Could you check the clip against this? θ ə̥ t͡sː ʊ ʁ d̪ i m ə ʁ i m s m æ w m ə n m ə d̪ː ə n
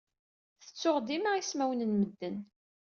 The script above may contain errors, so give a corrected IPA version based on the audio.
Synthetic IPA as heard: θ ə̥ t͡sː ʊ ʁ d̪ i m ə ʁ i s m æ w n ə n m ə d̪ː ə n